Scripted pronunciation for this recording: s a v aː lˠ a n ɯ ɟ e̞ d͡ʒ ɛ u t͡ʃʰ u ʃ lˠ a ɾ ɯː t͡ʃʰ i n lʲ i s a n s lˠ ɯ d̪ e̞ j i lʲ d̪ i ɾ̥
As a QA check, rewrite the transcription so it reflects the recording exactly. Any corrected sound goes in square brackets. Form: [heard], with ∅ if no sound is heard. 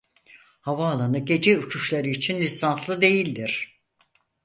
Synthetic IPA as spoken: [h] a v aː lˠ a n ɯ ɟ e̞ d͡ʒ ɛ u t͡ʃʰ u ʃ lˠ a ɾ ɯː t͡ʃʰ i n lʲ i s a n s lˠ ɯ d̪ e̞ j i lʲ d̪ i ɾ̥